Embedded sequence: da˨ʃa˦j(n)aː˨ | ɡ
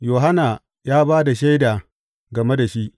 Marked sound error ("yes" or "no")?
yes